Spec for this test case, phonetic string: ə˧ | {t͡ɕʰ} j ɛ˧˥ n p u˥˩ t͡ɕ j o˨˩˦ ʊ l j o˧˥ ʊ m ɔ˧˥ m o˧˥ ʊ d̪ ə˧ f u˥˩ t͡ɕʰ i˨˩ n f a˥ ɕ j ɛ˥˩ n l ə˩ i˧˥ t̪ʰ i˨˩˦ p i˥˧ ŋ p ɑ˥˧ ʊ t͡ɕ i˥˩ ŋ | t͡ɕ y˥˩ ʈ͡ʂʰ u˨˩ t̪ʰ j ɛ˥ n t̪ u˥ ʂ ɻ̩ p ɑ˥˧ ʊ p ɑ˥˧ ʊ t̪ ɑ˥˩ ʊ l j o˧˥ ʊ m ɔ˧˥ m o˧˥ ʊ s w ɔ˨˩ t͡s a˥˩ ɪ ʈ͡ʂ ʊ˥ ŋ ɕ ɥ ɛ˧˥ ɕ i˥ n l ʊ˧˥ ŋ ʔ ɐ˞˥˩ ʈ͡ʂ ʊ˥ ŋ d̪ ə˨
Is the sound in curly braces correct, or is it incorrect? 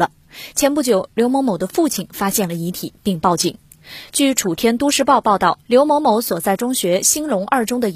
correct